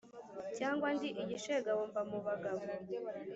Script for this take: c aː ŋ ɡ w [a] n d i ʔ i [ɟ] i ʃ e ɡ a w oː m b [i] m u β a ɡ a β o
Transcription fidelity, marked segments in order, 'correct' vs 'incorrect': correct, correct, incorrect

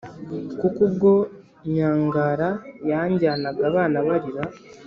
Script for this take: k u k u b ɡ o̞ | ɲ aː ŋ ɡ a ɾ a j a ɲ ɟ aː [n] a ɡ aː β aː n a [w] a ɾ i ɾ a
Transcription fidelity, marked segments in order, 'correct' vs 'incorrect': correct, incorrect

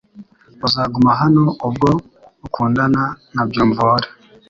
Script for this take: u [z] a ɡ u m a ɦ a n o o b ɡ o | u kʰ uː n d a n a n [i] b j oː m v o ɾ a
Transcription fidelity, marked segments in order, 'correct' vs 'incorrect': correct, incorrect

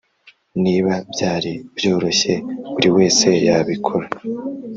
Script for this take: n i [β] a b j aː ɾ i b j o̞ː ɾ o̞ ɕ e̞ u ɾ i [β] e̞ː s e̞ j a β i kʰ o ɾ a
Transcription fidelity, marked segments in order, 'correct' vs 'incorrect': correct, incorrect

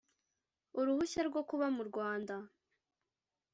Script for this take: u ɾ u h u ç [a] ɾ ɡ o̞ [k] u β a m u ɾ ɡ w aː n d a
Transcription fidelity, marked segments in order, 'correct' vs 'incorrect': correct, correct

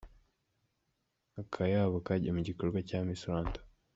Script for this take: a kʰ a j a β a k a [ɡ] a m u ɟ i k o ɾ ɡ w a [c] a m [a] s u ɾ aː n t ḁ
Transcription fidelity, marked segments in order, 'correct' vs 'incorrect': incorrect, correct, incorrect

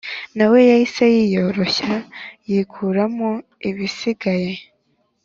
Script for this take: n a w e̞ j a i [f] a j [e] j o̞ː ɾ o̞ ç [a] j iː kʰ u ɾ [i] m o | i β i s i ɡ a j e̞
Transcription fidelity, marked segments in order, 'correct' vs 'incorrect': incorrect, incorrect, correct, incorrect

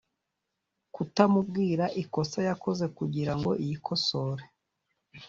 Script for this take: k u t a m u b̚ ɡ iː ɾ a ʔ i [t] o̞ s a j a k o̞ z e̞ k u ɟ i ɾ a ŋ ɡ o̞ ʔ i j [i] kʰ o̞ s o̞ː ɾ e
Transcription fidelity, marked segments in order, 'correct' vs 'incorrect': incorrect, correct

